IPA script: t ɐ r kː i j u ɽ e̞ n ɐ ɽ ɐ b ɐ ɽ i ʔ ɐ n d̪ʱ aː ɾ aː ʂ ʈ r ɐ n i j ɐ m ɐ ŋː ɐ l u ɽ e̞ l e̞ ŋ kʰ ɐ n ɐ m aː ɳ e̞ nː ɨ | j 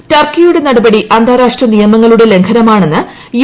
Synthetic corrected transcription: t ɐ r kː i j u ɽ e̞ n ɐ ɽ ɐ b ɐ ɽ i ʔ ɐ n d̪ʱ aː ɾ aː ʂ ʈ r ɐ n i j ɐ m ɐ ŋː ɐ ɭ u ɽ e̞ l e̞ ŋ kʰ ɐ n ɐ m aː ɳ e̞ nː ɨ | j